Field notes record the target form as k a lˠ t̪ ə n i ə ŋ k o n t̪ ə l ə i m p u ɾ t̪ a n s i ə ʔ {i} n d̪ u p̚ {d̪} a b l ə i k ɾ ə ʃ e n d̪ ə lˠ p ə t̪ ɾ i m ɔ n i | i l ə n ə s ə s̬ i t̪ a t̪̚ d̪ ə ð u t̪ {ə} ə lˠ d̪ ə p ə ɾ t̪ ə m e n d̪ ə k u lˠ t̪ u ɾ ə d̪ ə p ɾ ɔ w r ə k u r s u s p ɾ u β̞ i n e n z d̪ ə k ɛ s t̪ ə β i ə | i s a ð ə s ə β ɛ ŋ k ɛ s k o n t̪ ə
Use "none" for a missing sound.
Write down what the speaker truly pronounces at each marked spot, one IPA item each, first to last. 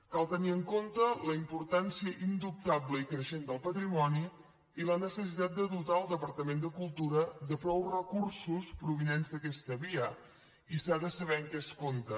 i, t̪, a

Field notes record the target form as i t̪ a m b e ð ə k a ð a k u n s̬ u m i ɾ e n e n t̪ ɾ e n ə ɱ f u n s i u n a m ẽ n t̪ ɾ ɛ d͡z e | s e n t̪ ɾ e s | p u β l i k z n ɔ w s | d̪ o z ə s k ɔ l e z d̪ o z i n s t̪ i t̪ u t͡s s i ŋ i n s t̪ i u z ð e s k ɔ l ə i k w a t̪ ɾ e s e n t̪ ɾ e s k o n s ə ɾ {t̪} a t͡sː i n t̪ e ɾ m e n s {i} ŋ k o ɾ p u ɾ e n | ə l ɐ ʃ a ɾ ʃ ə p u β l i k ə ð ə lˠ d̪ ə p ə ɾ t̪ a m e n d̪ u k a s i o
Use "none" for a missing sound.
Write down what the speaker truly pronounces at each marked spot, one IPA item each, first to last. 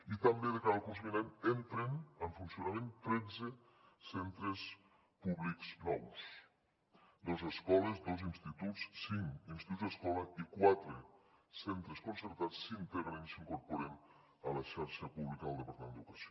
t̪, i

